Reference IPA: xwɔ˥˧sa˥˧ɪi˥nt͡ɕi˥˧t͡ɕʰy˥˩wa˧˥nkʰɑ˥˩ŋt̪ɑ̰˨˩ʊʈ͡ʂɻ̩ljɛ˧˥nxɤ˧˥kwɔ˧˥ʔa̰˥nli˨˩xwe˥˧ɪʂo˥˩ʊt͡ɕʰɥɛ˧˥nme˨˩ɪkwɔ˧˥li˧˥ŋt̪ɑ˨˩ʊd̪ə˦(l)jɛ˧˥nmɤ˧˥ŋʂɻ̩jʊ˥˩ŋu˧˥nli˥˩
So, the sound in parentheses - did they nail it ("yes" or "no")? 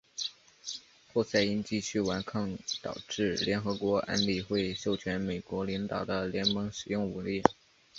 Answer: yes